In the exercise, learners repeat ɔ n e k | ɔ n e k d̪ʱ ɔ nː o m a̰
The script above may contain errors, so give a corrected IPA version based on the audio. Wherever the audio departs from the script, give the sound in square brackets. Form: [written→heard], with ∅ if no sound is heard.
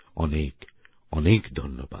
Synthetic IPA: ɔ n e k | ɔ n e k d̪ʱ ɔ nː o [m→b] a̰